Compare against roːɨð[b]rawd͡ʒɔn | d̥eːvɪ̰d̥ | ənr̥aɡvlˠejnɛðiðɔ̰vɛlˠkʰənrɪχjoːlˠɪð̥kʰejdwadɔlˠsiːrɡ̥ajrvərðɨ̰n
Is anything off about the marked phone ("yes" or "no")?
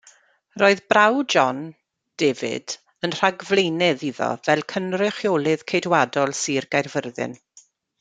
no